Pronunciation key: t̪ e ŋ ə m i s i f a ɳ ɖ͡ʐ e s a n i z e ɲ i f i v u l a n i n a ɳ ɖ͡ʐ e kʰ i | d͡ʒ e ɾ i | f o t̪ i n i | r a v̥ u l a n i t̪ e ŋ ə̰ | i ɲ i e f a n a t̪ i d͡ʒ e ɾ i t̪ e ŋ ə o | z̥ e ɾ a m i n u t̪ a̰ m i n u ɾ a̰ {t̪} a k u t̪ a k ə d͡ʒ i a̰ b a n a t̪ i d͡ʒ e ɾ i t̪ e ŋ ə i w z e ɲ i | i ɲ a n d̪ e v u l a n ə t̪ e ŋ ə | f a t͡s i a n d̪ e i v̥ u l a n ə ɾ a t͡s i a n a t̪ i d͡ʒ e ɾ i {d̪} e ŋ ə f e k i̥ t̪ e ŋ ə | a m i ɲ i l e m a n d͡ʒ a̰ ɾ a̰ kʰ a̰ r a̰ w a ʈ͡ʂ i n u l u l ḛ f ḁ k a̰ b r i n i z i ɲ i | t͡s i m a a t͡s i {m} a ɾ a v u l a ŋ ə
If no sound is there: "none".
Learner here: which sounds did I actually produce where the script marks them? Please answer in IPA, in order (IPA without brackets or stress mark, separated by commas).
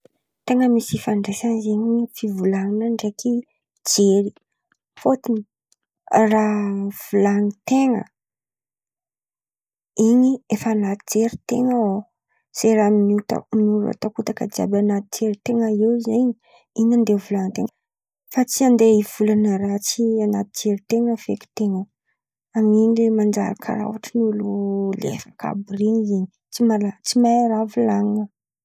t̪, t̪, m